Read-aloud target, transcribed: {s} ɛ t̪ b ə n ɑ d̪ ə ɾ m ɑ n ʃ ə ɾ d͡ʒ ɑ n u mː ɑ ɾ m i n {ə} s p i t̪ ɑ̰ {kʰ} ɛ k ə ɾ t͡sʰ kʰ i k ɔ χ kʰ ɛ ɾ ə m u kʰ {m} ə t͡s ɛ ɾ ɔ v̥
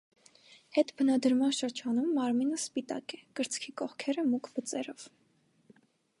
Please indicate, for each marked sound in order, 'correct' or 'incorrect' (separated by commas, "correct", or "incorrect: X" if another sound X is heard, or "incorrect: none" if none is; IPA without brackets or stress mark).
incorrect: h, correct, incorrect: k, incorrect: b